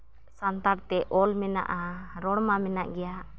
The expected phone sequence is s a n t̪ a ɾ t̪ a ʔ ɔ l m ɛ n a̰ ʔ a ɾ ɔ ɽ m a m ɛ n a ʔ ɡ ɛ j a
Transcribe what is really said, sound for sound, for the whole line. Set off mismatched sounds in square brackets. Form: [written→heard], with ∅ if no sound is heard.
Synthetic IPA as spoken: s a n t̪ a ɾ t̪ [a→ɛ] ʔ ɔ l m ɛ n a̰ ʔ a ɾ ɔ ɽ m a m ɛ n a ʔ ɡ ɛ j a